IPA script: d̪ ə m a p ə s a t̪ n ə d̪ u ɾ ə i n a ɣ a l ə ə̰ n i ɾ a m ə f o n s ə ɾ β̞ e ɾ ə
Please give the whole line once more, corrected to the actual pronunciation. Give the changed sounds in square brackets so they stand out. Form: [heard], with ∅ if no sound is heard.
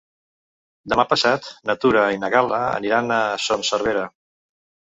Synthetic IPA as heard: d̪ ə m a p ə s a t̪ n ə [t̪] u ɾ ə i n [ə] ɣ a l ə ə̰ n i ɾ a [n] ə [s] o n s ə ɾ β̞ e ɾ ə